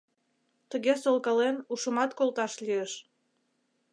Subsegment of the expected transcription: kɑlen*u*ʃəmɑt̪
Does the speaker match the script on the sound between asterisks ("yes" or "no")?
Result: yes